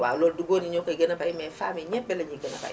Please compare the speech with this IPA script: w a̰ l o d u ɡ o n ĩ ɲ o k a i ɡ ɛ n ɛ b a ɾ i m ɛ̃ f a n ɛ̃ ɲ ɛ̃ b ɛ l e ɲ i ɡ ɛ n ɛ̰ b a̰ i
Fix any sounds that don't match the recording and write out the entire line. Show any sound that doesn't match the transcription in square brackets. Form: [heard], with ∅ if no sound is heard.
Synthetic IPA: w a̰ l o d u ɡ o n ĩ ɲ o k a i ɡ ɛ n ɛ b a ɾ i m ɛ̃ f a [m] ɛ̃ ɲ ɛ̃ b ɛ l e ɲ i ɡ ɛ n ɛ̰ b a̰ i